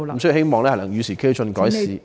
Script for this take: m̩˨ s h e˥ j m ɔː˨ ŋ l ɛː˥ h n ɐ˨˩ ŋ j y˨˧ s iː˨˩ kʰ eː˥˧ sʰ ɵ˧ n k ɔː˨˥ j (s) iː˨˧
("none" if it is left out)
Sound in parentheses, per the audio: s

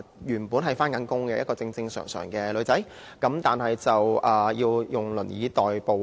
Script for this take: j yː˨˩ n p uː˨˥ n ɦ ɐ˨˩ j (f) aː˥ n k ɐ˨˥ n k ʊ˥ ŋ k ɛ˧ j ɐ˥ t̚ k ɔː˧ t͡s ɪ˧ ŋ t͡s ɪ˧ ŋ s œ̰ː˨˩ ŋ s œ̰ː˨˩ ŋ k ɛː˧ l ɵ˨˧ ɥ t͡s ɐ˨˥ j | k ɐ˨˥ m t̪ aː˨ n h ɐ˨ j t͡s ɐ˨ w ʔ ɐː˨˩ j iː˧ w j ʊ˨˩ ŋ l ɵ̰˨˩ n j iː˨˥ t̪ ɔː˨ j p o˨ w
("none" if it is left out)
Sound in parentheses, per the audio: f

